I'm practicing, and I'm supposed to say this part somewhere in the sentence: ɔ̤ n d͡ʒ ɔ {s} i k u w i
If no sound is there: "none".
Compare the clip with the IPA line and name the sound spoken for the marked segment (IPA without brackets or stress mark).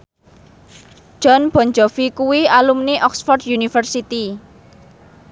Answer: f